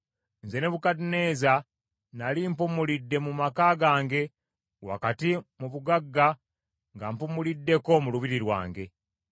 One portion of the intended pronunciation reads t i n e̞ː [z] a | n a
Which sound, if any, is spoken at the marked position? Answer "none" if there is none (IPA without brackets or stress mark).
z